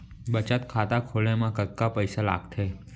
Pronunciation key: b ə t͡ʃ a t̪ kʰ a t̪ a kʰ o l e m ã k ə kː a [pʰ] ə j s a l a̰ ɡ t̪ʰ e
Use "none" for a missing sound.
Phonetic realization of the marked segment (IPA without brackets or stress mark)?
p